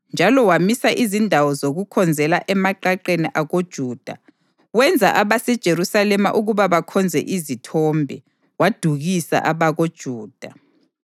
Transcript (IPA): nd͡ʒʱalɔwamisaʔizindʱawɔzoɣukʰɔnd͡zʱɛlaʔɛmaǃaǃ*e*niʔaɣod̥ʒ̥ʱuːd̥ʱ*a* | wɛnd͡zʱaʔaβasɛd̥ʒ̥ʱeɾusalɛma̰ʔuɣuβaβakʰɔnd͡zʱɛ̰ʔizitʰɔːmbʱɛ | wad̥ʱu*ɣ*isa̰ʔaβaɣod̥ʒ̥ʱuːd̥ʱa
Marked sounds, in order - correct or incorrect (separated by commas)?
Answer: correct, correct, correct